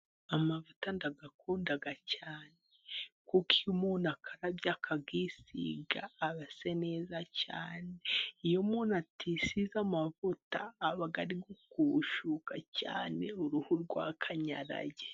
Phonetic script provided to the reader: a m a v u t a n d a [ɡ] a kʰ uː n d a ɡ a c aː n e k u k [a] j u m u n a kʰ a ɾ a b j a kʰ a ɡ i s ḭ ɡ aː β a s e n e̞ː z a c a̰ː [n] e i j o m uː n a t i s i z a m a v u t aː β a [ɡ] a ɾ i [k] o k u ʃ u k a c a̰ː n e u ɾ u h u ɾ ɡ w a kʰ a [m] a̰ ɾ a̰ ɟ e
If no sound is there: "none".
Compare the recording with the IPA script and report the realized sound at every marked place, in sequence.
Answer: ɡ, i, n, ɡ, ɡ, ɲ

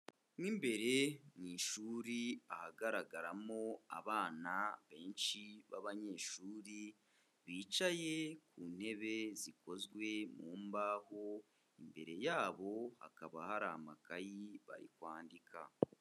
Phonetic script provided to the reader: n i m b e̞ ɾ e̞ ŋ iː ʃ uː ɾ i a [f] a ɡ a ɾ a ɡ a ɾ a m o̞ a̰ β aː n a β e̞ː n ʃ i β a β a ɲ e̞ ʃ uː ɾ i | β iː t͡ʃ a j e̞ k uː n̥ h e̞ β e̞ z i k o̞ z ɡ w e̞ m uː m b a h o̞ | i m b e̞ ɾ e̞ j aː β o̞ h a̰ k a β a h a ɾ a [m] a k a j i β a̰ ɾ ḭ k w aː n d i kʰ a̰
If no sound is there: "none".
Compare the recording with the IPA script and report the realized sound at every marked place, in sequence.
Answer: h, m

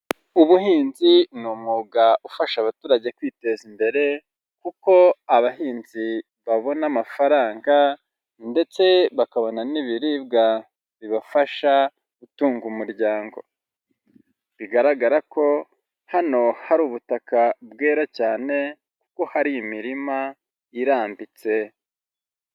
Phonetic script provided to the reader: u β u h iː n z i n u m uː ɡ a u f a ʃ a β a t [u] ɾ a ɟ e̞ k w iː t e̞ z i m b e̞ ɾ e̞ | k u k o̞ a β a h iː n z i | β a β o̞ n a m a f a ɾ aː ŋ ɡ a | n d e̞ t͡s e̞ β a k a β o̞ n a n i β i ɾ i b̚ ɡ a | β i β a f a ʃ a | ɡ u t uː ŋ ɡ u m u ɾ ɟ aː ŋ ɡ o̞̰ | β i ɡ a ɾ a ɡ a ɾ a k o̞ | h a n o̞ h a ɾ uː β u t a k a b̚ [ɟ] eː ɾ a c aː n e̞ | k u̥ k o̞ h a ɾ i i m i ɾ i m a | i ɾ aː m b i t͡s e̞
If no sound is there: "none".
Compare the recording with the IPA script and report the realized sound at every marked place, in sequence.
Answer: uː, ɡ

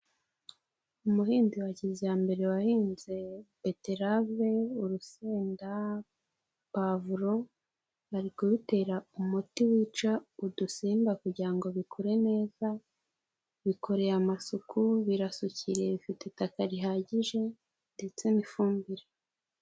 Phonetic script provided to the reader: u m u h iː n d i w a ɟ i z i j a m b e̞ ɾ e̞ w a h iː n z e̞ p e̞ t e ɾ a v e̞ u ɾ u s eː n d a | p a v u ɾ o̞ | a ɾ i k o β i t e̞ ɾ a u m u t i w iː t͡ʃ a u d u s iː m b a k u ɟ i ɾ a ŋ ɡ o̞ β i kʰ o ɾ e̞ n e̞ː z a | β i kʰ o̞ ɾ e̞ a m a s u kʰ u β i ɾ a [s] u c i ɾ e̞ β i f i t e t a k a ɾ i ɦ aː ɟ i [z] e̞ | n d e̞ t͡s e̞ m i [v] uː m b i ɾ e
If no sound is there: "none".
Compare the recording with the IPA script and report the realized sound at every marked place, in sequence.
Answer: s, ʒ, f

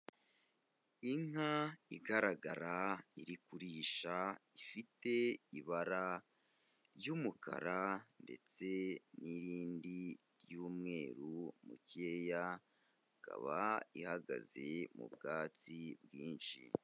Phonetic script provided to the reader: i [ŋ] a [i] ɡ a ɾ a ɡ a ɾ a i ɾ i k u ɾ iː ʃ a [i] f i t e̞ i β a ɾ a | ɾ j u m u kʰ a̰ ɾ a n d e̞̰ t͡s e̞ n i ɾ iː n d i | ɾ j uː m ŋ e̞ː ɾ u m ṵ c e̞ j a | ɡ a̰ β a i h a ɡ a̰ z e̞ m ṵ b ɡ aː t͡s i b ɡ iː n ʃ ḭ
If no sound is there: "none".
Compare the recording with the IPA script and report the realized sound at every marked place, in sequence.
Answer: ŋ, i, i

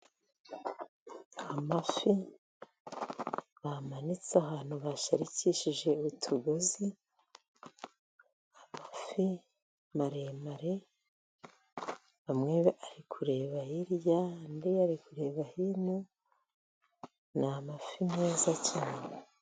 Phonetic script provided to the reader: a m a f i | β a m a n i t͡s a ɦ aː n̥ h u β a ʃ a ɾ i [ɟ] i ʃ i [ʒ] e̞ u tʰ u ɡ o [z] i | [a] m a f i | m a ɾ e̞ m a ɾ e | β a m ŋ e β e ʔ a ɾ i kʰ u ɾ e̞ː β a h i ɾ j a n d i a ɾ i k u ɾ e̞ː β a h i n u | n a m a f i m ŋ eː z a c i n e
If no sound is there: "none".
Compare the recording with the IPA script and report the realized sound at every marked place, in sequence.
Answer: c, ʒ, z, a

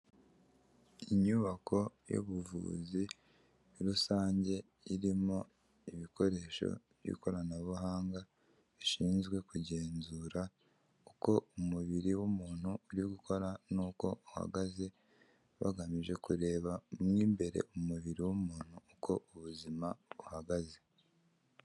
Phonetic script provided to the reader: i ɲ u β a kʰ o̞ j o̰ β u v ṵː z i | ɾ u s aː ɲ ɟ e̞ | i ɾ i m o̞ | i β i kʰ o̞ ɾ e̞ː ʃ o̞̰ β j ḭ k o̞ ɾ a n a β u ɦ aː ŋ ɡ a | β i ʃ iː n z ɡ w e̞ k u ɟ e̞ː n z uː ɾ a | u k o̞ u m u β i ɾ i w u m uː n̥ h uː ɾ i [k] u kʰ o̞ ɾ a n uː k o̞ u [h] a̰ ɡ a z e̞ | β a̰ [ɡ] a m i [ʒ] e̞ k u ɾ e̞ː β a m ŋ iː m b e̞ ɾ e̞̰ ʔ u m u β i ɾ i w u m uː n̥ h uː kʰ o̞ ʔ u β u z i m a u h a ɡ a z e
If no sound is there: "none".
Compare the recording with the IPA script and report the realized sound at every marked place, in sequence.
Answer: ɡ, h, ɡ, ʒ

